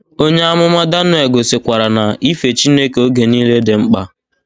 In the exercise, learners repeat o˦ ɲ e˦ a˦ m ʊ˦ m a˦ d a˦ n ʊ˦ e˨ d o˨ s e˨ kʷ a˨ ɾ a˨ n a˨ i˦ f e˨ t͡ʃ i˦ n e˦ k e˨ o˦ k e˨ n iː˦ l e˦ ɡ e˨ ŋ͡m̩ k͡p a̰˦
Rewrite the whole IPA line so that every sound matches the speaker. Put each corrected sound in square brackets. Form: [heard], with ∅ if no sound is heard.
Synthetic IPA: o˦ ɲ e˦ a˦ m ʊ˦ m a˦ d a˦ n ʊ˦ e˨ [ɡ] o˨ s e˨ kʷ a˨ ɾ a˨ n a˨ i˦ f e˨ t͡ʃ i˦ n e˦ k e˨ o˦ [ɡ] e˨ n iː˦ l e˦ [d] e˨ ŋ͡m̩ k͡p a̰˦